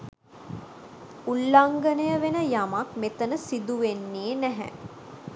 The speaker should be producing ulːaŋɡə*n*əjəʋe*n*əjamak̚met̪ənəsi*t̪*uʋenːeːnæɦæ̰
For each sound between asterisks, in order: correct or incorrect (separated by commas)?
correct, correct, incorrect